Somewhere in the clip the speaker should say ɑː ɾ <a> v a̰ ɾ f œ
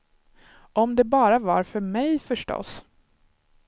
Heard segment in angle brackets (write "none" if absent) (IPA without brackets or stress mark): a